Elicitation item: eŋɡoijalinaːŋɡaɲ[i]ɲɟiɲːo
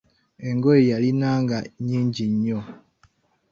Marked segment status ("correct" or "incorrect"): incorrect